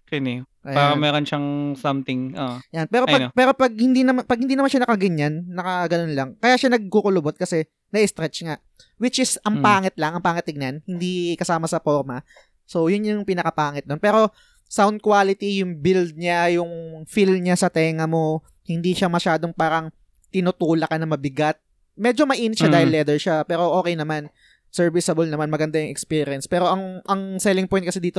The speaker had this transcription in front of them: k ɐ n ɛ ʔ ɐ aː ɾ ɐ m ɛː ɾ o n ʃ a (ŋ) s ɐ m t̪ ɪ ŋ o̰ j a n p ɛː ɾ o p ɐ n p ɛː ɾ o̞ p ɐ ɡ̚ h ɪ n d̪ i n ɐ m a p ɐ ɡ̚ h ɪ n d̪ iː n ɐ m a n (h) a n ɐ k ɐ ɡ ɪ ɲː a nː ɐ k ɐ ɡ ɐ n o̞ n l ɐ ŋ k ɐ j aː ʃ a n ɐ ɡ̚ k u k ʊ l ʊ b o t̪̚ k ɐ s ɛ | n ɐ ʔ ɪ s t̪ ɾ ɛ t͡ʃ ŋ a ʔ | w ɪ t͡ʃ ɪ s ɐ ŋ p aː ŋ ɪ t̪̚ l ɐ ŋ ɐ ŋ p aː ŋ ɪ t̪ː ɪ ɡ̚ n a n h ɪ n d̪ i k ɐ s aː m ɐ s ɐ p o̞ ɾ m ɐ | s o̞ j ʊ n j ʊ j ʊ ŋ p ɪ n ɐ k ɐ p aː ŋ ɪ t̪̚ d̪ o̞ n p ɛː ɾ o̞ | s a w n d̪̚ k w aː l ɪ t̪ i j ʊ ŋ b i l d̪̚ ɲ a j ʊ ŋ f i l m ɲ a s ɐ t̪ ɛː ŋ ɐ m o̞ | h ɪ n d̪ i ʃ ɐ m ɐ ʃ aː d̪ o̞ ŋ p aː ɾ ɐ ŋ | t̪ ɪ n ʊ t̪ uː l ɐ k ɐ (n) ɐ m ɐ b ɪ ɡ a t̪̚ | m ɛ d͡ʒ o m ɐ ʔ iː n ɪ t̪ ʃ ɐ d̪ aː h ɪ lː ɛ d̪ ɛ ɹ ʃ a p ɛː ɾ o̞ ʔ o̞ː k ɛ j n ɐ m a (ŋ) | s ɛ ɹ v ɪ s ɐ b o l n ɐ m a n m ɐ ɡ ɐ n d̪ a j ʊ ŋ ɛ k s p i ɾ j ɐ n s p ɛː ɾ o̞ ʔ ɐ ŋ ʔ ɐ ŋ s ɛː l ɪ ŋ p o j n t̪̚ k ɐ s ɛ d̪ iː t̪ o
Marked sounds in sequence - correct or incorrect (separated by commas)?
correct, incorrect, correct, incorrect